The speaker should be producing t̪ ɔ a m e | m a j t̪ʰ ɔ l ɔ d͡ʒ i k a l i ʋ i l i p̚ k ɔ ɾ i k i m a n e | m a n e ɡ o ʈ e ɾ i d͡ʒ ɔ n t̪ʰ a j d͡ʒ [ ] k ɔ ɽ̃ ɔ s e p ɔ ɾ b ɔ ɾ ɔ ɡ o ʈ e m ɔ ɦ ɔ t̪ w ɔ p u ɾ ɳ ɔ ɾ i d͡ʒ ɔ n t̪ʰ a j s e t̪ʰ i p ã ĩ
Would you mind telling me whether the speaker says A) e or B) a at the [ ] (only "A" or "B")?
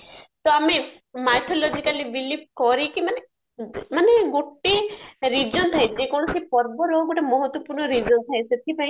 A